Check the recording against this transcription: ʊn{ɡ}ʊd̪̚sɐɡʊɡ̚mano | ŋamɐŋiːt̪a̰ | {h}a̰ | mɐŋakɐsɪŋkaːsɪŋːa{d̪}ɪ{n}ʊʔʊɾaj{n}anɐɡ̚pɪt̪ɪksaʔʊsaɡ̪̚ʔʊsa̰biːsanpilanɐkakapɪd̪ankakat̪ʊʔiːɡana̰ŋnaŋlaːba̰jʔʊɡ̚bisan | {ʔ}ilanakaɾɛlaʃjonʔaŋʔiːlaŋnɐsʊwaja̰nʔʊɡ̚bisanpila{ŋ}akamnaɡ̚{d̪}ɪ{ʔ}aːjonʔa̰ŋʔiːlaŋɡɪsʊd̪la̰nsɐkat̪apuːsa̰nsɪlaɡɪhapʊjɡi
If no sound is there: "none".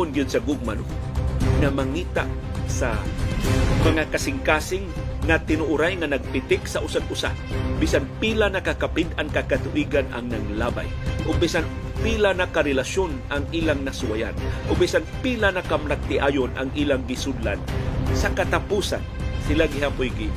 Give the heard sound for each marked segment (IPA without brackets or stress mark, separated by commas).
ɡ, s, t̪, n, ŋ, p, n, t̪, ʔ